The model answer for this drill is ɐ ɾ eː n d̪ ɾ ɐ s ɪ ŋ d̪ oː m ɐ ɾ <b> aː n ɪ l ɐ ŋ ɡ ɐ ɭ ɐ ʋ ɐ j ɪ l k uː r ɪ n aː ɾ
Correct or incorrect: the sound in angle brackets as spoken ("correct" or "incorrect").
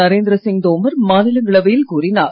incorrect